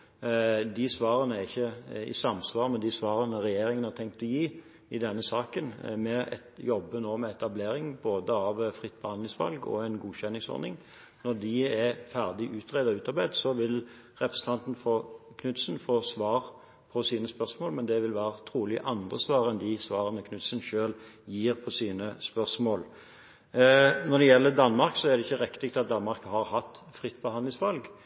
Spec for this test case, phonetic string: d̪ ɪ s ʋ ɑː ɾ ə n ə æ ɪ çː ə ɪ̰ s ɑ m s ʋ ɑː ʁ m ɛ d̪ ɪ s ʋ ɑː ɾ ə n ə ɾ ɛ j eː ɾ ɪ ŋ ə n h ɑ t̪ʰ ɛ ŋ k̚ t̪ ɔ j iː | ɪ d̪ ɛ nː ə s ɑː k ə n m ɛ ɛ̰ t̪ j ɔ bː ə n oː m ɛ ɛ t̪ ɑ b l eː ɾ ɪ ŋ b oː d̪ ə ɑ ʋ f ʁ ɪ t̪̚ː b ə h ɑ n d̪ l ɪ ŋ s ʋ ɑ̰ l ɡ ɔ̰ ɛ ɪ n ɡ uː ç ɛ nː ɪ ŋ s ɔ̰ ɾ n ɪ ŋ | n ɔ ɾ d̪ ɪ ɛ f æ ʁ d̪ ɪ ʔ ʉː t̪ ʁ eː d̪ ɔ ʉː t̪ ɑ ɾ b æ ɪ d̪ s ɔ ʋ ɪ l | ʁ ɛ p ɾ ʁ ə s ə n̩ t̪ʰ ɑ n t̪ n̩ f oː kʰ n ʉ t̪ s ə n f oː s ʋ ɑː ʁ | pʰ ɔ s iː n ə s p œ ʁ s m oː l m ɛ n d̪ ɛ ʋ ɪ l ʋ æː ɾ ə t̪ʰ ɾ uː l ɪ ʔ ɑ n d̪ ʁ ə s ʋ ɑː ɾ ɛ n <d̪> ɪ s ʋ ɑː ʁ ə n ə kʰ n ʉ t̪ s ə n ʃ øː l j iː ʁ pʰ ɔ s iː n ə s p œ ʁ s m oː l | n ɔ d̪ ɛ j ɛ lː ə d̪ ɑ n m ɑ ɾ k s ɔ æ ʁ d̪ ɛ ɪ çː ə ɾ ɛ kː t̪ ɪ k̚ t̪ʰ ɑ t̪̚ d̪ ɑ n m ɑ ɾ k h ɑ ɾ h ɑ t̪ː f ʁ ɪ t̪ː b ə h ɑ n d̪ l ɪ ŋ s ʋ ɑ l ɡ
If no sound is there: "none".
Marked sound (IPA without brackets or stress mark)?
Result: d̪